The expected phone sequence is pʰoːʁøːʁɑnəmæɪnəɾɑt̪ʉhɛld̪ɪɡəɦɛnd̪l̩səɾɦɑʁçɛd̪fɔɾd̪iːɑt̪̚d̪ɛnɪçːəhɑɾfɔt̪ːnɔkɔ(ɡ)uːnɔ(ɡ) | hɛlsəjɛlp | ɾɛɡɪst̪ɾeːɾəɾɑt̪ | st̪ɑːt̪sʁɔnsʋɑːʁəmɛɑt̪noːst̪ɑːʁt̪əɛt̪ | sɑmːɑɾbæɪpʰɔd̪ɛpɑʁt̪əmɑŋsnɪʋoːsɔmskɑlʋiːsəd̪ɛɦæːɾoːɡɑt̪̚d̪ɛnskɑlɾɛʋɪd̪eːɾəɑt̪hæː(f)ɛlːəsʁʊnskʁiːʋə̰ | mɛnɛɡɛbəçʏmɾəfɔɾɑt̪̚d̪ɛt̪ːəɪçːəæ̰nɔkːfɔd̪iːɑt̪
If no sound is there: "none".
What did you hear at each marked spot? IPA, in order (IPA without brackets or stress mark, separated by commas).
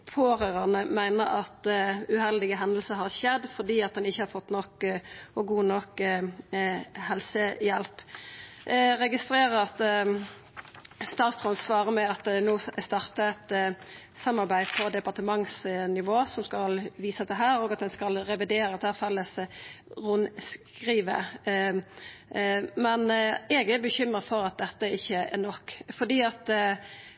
ɡ, k, f